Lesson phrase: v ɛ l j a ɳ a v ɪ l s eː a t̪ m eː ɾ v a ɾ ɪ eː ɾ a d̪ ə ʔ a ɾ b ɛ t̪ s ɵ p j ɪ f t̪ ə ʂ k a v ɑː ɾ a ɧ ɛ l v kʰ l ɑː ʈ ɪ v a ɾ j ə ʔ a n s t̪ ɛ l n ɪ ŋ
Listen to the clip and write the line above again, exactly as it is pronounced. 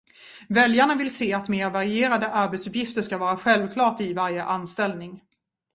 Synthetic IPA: v ɛ l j a ɳ a v ɪ l s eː a t̪ m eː ɾ v a ɾ ɪ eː ɾ a d̪ ə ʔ a ɾ b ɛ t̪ s ɵ p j ɪ f t̪ ə ʂ k a v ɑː ɾ a ɧ ɛ l v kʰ l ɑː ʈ ɪ v a ɾ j ə ʔ a n s t̪ ɛ l n ɪ ŋ

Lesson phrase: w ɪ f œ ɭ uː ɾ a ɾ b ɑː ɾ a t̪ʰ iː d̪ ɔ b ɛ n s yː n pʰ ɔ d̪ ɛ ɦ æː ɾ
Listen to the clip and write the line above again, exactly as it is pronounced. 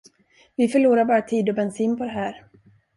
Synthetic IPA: v ɪ f œ ɭ uː ɾ a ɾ b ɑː ɾ a t̪ʰ iː d̪ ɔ b ɛ n s iː n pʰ ɔ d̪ ɛ ɦ æː ɾ

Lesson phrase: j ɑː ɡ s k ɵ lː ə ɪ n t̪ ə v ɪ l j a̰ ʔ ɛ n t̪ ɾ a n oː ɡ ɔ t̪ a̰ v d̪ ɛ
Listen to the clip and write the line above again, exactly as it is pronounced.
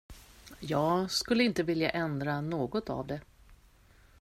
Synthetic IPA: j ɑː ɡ s k ɵ lː ə ɪ n t̪ ə v ɪ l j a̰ ʔ ɛ n d̪ ɾ a n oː ɡ ɔ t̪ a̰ v d̪ ɛ

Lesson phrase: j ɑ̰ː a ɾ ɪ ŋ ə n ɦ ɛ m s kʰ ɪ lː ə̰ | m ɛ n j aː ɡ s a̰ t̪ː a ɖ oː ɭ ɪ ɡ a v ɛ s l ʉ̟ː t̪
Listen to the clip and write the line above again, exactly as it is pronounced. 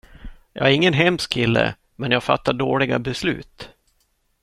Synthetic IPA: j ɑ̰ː æ ɾ ɪ ŋː ə n ɦ ɛ m s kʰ ɪ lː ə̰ | m ɛ n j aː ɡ f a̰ t̪ː a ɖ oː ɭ ɪ ɡ a b ɛ s l ʉ̟ː t̪

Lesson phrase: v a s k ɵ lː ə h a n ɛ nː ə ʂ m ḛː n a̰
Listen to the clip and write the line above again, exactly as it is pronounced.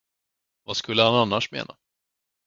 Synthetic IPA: v a s k ɵ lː ə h a n a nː a ʂ m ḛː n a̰

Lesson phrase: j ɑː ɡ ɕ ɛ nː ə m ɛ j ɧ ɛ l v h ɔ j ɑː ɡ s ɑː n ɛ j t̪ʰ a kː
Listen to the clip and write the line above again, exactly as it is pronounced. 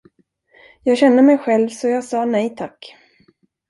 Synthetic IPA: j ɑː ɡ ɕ ɛ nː ə m ɛ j ɧ ɛ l v s ɔ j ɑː ɡ s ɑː n ɛ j t̪ʰ a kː

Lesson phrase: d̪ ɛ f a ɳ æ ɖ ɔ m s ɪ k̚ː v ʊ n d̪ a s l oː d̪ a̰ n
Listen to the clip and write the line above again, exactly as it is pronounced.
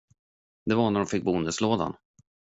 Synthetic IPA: d̪ ɛ v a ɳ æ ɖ ɔ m f ɪ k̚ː b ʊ n d̪ ə s l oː d̪ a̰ n

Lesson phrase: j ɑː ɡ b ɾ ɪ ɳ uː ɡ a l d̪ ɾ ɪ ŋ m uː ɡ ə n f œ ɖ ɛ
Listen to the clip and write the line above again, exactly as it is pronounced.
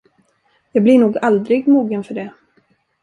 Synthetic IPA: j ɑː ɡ b l ɪ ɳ uː ɡ a l d̪ ɾ ɪ ɡ m uː ɡ ə n f œ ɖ ɛ

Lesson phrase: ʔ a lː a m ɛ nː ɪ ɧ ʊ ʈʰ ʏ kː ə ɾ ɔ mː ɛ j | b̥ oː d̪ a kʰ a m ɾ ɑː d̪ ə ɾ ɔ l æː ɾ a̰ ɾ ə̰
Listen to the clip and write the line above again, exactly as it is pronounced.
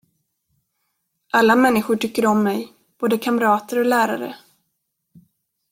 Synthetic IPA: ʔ a lː a m ɛ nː ɪ ɧ ʊ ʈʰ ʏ kː ə ɾ ɔ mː ɛ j | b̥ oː d̪ ə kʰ a m ɾ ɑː t̪ ə ɾ ɔ l æː ɾ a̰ ɾ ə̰

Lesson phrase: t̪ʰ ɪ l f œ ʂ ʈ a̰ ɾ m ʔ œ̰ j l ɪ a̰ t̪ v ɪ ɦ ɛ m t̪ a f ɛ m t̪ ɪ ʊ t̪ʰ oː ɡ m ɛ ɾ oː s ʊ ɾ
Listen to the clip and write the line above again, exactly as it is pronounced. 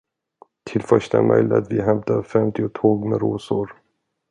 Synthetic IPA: t̪ʰ ɪ l f œ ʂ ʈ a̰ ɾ m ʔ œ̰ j l ɪ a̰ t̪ v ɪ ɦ ɛ m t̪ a f ɛ m t̪ ɪ ʊ t̪ʰ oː ɡ m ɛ ɾ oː s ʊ ɾ

